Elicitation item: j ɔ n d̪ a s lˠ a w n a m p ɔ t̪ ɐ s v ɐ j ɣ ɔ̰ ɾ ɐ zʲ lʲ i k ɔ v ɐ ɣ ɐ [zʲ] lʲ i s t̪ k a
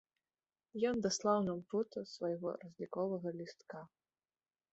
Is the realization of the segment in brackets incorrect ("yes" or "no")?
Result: yes